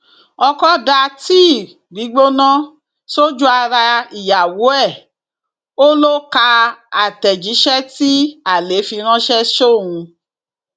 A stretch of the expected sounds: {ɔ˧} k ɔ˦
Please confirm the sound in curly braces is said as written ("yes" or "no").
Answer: yes